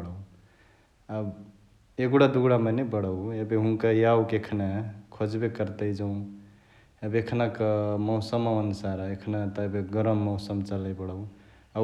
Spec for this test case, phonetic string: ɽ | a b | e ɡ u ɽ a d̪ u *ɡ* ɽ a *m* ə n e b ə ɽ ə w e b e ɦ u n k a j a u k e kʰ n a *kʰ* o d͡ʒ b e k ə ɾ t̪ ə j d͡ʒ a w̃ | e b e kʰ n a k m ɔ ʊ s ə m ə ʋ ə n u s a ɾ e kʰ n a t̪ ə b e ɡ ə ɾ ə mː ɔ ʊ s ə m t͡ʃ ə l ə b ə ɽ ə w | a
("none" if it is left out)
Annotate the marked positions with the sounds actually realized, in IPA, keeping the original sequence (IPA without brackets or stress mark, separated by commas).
ɡ, m, kʰ